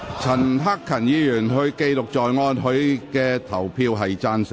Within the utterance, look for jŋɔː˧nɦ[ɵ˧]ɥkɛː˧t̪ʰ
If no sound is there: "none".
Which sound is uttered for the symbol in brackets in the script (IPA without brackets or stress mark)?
ɵ˨˥